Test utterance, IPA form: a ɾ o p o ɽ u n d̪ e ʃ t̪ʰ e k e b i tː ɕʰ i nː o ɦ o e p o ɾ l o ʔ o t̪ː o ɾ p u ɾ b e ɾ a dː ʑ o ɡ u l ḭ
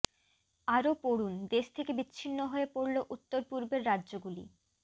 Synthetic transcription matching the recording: a ɾ o p o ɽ u n d̪ e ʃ t̪ʰ e k e b i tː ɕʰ i nː o ɦ o e p o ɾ l o ʔ u t̪ː o ɾ p u ɾ b e ɾː a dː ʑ o ɡ u l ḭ